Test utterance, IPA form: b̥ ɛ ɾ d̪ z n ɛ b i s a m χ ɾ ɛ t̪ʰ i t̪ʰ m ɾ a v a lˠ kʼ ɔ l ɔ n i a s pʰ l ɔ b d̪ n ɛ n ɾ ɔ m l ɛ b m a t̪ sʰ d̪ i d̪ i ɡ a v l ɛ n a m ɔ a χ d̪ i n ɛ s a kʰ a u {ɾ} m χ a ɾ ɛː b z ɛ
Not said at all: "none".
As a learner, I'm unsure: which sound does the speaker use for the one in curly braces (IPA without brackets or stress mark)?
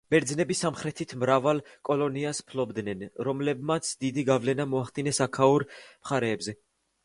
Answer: ɾ